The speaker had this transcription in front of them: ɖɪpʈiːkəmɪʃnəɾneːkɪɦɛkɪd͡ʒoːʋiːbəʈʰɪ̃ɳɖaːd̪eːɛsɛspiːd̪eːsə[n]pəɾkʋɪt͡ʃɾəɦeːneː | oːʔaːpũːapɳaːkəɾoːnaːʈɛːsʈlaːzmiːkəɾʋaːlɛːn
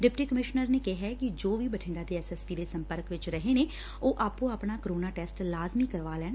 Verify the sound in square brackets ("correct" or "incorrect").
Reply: incorrect